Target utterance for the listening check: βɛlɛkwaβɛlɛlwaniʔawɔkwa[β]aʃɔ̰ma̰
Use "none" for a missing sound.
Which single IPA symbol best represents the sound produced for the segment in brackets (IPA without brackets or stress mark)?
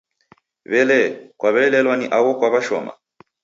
β